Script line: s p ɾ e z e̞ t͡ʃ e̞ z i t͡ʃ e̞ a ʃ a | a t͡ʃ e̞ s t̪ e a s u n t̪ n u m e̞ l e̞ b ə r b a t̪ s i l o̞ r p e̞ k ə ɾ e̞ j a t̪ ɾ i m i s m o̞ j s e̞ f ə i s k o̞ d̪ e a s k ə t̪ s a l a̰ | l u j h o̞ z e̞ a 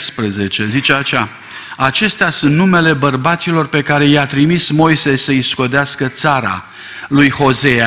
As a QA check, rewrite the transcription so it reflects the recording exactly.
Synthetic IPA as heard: s p ɾ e z e̞ t͡ʃ e̞ z i t͡ʃ e̞ a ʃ a | a t͡ʃ e̞ s t̪ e a s u n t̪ n u m e̞ l e̞ b ə r b a t̪ s i l o̞ r p e̞ k a ɾ e̞ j a t̪ ɾ i m i s m o̞ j s e̞ s ə i s k o̞ d̪ e a s k ə t̪ s a ɾ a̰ | l u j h o̞ z e̞ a